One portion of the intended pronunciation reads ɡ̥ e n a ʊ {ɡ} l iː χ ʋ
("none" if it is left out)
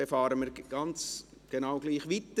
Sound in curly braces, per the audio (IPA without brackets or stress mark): ɡ